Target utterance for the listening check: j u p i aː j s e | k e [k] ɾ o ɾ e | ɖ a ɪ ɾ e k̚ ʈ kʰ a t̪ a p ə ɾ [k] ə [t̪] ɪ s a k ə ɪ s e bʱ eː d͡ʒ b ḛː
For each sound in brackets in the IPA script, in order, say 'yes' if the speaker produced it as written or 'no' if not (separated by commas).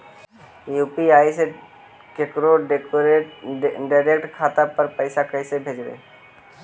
yes, no, no